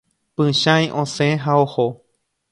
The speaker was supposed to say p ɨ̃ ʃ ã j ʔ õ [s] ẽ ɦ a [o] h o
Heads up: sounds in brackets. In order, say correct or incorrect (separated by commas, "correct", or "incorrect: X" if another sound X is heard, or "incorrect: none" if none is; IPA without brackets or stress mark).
correct, correct